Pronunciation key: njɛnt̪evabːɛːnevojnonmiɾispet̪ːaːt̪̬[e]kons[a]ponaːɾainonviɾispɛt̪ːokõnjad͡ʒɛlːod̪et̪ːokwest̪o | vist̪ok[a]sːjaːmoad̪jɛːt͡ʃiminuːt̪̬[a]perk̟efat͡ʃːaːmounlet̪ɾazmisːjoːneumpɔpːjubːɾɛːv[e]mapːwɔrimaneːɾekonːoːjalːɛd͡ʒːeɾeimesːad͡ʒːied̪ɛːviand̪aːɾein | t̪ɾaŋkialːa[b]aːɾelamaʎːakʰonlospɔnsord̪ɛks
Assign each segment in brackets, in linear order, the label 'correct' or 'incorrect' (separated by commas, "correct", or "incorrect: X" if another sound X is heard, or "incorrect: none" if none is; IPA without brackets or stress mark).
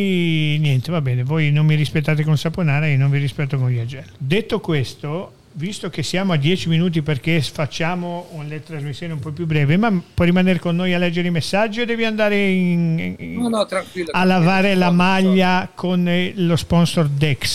correct, correct, incorrect: e, incorrect: i, correct, incorrect: v